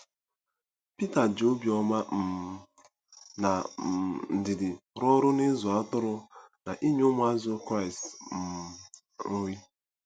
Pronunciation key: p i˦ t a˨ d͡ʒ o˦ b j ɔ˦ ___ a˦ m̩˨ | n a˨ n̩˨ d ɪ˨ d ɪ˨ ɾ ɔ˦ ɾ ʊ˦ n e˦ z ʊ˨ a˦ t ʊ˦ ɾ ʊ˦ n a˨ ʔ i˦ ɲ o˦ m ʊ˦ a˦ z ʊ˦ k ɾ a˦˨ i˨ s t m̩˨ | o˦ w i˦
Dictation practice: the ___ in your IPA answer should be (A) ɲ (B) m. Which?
B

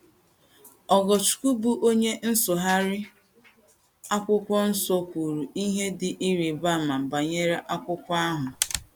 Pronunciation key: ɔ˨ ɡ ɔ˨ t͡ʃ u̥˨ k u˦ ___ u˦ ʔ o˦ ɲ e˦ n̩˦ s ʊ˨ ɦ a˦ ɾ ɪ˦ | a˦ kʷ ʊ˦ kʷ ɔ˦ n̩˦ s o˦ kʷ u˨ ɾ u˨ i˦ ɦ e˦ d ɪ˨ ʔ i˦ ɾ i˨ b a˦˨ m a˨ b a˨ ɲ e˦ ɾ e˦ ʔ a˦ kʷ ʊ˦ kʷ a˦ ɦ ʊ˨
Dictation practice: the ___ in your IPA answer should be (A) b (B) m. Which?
A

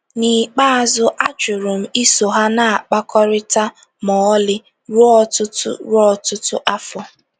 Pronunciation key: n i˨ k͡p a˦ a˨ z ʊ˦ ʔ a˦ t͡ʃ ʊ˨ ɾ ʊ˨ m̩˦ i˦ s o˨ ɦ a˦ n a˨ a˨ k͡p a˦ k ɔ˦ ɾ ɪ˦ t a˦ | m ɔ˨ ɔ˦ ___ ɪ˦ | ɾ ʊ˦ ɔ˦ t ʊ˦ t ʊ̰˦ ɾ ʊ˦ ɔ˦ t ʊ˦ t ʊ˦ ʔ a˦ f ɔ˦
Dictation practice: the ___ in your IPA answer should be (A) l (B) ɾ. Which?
A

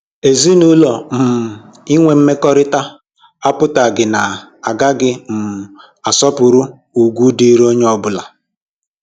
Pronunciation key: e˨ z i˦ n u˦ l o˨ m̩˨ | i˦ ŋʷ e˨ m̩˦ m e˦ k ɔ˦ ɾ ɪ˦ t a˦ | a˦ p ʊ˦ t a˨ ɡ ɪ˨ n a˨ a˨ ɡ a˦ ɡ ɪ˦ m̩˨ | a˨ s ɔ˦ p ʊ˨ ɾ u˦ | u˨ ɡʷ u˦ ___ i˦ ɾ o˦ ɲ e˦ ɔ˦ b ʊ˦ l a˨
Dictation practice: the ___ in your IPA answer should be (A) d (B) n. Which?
A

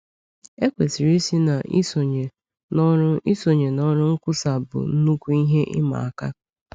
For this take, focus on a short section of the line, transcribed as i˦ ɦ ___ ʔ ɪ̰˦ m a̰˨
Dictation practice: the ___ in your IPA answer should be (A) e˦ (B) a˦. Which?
A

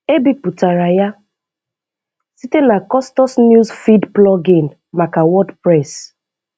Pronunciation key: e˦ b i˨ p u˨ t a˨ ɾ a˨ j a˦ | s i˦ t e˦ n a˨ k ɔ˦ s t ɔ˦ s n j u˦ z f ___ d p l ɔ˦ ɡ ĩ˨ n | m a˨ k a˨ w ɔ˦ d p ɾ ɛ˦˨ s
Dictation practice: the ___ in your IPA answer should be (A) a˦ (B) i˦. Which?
B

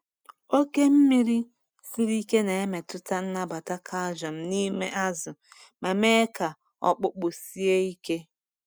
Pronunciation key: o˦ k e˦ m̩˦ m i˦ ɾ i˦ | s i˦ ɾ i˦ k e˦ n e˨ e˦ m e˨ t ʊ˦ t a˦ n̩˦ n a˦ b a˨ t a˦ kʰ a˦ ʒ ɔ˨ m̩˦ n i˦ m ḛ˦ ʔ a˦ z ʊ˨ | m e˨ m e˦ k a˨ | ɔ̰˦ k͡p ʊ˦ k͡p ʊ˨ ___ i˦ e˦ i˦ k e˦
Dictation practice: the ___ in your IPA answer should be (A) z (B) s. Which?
B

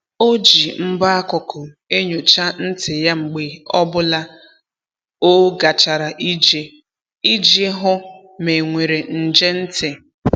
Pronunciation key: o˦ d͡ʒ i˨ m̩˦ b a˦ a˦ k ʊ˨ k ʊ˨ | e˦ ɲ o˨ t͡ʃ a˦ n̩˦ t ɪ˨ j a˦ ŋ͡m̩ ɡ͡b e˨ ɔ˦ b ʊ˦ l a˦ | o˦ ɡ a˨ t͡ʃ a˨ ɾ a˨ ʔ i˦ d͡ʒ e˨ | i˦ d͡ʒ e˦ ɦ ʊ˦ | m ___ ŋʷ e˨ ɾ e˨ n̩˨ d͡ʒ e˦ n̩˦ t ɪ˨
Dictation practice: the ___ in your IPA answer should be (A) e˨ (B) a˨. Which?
A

